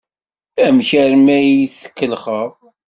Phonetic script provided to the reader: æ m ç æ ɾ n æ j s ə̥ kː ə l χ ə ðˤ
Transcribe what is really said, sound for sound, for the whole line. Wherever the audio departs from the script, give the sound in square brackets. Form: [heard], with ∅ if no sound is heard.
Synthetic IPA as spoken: æ m ç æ ɾ [m] æ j [θ] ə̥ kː ə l χ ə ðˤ